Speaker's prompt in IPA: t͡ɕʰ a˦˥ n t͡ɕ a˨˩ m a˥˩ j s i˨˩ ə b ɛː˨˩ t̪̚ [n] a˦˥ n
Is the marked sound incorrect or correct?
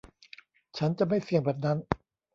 correct